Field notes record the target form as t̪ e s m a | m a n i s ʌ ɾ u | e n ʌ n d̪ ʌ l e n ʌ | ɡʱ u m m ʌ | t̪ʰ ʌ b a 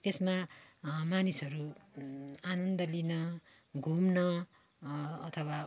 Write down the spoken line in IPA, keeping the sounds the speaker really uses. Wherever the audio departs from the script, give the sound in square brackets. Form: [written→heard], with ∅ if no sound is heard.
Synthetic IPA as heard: t̪ e s m a | m a n i s ʌ ɾ u | [e→a] n ʌ n d̪ ʌ l [e→i] n ʌ | ɡʱ u m [m→n] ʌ | t̪ʰ ʌ [b→w] a